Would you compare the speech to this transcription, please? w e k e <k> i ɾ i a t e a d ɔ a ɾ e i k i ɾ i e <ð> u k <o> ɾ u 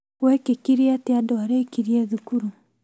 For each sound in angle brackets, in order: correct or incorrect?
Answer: correct, correct, incorrect

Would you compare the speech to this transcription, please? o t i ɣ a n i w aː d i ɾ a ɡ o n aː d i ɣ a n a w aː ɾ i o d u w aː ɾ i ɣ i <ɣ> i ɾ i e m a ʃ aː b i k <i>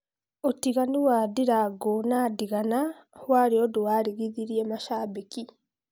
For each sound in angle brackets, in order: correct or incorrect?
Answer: incorrect, correct

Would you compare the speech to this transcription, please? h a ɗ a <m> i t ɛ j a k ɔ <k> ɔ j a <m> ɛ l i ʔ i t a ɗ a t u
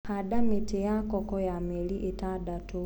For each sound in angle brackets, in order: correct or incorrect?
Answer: correct, correct, correct

